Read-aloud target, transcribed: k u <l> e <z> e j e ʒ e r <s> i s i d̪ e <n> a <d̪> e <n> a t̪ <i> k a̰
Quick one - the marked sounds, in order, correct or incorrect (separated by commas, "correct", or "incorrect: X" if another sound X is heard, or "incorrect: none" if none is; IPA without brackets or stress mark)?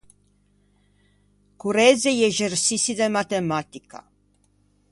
incorrect: ɾ, correct, correct, incorrect: m, incorrect: t̪, incorrect: m, correct